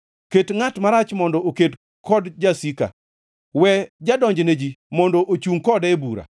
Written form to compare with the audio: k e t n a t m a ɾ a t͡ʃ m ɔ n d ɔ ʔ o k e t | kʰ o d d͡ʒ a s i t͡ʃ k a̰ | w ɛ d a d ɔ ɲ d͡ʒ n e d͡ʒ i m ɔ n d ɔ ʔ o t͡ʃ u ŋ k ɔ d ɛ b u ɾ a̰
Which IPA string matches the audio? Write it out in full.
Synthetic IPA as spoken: k e t ŋ a t m a ɾ a t͡ʃ m ɔ n d ɔ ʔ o k e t | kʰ ɔ d d͡ʒ a s i k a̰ | w ɛ d͡ʒ a d ɔ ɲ d͡ʒ n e d͡ʒ i m ɔ n d ɔ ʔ o t͡ʃ u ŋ k ɔ d ɛ b u ɾ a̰